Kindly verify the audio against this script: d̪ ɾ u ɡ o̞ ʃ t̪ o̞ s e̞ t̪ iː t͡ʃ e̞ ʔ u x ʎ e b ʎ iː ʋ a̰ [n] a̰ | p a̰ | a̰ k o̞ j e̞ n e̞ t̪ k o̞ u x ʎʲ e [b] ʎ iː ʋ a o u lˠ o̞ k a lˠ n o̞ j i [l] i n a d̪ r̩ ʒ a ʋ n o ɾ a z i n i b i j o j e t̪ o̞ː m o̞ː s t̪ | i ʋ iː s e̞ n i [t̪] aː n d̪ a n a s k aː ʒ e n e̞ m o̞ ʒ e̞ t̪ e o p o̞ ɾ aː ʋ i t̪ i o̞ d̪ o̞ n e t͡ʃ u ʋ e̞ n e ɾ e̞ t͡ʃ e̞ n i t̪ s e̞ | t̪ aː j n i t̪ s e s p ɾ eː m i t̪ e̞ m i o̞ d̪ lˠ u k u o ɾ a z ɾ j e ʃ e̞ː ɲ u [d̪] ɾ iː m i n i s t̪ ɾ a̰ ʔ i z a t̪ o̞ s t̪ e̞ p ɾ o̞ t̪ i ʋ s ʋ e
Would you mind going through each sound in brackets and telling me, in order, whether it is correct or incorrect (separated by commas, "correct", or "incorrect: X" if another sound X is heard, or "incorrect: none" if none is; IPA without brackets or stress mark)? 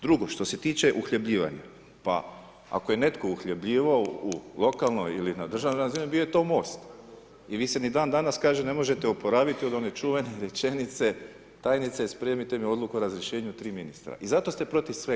incorrect: ɲ, correct, correct, incorrect: d̪, incorrect: t̪